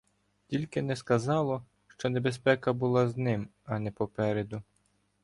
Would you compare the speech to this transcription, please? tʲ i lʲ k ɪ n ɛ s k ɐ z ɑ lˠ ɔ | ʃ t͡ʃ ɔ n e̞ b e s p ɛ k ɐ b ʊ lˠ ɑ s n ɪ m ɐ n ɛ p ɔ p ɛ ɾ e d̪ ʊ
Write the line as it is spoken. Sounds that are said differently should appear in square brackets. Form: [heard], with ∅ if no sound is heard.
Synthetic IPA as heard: tʲ i lʲ k ɪ n ɛ s k ɐ z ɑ lˠ ɔ | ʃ t͡ʃ ɔ n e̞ b e s p ɛ k ɐ b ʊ lˠ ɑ [z] n ɪ m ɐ n ɛ p ɔ p ɛ ɾ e d̪ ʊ